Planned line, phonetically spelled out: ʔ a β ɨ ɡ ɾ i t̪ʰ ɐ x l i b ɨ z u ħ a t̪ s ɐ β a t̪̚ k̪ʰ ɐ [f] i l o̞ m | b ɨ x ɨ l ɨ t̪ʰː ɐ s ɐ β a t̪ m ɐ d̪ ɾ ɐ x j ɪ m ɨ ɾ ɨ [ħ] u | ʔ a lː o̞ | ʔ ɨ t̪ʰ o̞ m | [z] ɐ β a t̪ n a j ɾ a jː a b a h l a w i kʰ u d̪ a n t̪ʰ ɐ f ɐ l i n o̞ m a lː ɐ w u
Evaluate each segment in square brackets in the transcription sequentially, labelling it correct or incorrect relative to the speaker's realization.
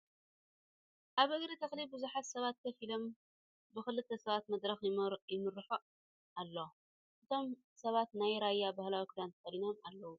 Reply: correct, correct, incorrect

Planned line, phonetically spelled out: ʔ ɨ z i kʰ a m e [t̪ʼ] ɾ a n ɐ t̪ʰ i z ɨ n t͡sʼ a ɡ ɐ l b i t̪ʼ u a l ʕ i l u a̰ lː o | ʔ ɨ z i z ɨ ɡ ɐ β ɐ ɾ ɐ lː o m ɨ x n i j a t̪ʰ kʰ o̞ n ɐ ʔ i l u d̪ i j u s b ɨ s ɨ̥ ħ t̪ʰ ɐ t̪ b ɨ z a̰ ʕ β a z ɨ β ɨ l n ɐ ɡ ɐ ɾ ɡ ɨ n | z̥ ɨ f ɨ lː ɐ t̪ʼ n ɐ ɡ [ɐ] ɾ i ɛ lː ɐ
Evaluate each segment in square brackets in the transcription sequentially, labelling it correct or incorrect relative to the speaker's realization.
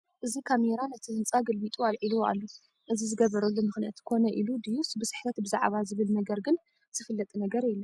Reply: incorrect, correct

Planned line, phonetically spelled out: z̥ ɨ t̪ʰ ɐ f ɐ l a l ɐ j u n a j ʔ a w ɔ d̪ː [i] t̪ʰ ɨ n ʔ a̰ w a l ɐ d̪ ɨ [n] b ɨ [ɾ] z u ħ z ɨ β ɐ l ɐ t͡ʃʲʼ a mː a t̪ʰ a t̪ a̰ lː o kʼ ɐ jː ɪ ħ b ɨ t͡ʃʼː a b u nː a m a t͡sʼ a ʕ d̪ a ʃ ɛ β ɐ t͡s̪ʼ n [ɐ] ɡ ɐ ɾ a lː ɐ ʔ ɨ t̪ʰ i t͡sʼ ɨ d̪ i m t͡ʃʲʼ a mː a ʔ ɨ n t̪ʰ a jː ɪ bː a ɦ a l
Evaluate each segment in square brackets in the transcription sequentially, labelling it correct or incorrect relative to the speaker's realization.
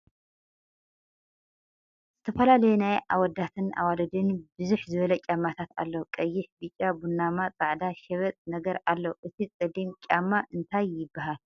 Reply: incorrect, correct, incorrect, correct

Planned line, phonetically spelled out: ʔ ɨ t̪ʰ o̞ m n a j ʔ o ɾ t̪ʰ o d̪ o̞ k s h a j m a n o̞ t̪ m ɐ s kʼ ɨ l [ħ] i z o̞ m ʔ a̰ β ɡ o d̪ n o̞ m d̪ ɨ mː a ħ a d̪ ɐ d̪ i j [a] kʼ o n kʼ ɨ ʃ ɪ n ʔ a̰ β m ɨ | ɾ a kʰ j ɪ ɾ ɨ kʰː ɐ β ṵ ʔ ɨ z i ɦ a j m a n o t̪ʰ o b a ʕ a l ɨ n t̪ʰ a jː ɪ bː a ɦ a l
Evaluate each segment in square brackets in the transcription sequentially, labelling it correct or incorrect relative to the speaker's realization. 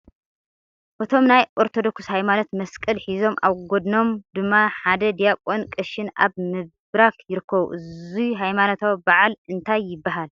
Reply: correct, correct

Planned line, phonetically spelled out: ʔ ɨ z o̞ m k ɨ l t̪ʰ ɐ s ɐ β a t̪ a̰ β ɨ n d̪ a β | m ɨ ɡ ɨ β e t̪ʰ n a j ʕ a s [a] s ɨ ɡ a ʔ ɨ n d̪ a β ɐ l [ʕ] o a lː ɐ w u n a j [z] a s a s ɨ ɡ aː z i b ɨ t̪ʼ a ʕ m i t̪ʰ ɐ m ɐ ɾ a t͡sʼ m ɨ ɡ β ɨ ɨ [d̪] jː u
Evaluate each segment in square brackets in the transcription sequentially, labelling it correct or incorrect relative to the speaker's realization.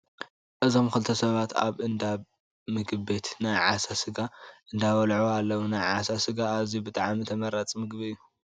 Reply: correct, correct, incorrect, incorrect

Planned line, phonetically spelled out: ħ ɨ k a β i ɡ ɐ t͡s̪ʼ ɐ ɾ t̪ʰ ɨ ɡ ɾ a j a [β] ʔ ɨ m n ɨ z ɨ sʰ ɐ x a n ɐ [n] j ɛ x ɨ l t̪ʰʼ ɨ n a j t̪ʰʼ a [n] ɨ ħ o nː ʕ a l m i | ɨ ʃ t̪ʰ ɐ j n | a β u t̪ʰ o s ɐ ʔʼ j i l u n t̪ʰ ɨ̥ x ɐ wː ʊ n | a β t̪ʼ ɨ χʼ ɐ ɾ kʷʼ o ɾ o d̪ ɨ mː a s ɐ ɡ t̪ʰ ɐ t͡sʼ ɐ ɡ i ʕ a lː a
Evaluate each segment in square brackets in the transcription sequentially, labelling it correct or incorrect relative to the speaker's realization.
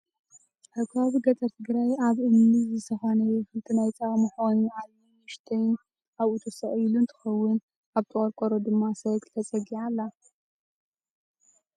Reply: correct, incorrect, incorrect

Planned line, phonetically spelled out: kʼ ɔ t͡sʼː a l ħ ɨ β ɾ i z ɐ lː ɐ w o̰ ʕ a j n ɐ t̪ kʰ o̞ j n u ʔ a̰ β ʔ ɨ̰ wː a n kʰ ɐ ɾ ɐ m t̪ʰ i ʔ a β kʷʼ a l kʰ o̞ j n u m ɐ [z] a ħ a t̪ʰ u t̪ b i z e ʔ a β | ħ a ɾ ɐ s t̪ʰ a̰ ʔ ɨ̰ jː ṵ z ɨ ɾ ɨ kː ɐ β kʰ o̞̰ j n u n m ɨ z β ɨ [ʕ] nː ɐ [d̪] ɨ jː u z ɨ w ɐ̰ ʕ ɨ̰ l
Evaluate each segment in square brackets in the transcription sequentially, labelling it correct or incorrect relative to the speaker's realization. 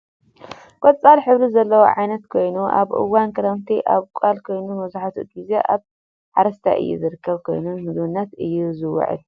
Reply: correct, incorrect, incorrect

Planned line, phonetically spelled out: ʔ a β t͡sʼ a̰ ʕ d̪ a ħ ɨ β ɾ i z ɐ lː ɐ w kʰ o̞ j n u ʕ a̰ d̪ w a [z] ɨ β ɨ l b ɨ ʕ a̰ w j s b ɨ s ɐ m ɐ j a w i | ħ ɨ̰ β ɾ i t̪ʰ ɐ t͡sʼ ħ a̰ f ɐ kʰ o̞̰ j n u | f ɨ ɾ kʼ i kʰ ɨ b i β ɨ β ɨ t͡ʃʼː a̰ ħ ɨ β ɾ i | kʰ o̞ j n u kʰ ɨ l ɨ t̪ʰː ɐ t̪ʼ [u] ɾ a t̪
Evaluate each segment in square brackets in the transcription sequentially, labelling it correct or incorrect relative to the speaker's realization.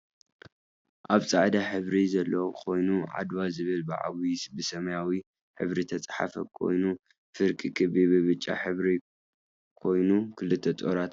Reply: correct, incorrect

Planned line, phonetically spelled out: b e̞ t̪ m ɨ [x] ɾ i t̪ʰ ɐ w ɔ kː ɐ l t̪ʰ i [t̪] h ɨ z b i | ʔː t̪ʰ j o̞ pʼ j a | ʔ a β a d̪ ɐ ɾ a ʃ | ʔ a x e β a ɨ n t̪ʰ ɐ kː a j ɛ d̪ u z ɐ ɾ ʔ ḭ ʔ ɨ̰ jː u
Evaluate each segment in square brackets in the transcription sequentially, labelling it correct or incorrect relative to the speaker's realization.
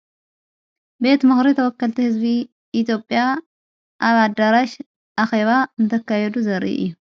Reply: correct, incorrect

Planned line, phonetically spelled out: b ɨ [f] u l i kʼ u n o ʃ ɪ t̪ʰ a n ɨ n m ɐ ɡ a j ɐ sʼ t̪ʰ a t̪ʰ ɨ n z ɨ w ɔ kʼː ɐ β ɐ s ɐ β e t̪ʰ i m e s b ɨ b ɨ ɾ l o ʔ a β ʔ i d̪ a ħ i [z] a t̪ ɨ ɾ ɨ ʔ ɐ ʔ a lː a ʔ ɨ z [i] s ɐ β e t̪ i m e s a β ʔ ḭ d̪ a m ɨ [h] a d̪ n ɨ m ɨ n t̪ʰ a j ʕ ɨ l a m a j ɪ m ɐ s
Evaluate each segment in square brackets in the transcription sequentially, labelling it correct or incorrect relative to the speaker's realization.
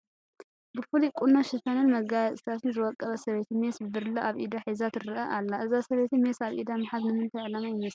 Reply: correct, correct, incorrect, incorrect

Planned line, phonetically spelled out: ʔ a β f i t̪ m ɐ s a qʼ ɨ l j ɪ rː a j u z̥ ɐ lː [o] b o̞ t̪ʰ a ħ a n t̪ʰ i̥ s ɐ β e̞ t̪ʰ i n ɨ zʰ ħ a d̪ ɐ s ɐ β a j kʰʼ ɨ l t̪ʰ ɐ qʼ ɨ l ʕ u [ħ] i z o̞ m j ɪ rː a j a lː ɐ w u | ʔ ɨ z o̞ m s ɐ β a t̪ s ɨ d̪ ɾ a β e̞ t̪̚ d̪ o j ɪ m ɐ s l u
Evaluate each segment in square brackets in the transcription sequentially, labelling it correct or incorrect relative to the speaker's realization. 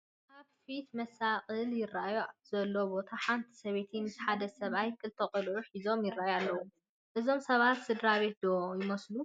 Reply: correct, correct

